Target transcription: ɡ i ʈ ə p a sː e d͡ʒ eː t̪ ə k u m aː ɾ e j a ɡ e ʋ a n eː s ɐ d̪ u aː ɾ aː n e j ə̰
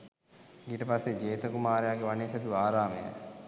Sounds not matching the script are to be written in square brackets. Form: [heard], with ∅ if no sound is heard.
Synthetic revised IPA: ɡ i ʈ ə p a sː e d͡ʒ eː t̪ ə k u m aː ɾ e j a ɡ e ʋ a n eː s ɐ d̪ u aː ɾ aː [m] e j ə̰